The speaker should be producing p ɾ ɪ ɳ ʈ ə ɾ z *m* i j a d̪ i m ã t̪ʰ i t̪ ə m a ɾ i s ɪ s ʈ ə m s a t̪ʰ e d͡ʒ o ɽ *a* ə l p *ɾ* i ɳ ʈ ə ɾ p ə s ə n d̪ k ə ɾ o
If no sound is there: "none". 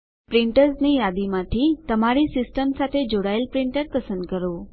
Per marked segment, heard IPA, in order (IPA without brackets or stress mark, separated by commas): n, a, ɾ